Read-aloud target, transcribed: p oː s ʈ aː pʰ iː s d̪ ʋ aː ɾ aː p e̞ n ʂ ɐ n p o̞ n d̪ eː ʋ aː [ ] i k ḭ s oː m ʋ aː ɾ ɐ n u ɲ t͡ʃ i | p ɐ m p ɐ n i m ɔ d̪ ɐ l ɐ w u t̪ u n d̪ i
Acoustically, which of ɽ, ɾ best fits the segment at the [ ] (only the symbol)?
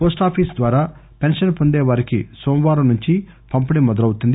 ɾ